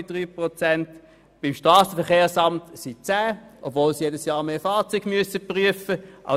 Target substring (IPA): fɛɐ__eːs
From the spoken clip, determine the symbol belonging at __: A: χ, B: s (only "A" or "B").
A